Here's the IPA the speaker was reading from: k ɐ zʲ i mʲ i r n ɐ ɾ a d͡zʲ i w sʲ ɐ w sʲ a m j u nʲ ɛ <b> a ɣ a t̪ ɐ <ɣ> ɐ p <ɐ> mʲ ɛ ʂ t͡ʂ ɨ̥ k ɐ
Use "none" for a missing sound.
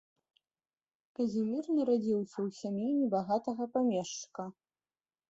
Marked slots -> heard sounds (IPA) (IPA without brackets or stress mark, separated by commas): b, ɣ, a